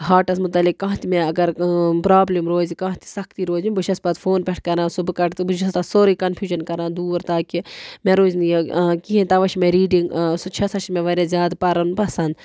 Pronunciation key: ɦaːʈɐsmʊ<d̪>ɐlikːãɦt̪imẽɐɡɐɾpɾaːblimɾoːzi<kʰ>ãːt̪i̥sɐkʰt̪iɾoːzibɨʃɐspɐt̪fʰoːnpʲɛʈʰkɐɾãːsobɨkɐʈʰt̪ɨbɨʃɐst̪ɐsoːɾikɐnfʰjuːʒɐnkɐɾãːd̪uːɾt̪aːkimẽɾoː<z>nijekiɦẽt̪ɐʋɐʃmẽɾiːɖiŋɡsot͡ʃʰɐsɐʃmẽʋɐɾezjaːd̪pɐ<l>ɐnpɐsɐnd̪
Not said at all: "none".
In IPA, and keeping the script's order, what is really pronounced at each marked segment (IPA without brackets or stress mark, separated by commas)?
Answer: t̪, k, z, ɾ